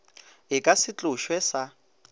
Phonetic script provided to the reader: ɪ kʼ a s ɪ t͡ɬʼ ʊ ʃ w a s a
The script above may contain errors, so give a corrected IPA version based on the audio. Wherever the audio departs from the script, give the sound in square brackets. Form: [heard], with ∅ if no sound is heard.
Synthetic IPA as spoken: ɪ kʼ a s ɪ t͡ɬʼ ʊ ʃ w [ɛ] s a